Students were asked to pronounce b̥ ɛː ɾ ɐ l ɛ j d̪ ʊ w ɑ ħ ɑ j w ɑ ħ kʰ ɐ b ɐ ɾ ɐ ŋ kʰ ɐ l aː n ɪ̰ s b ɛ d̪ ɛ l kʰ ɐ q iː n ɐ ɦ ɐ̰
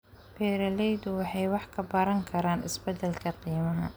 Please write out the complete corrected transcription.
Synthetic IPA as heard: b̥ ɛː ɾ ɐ l ɛ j d̪ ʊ w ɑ ħ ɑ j w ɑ ħ kʰ ɐ b ɐ ɾ ɐ ŋ kʰ ɐ ɾ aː n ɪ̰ s b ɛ d̪ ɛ l kʰ ɐ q iː m ɐ ɦ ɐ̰